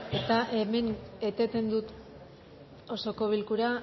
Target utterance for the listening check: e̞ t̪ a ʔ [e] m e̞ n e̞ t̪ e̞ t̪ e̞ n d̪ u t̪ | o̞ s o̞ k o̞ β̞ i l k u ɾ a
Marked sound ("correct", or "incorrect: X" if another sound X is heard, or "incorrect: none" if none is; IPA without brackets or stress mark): correct